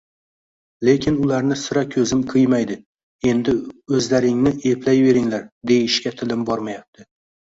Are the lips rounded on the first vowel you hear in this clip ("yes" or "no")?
no